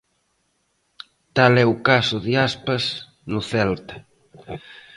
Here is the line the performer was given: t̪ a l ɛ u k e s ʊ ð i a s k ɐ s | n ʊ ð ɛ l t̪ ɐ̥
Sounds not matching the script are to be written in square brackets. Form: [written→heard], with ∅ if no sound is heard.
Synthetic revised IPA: t̪ a l ɛ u k [e→a] s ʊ ð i a s [k→p] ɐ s | n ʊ [ð→θ] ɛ l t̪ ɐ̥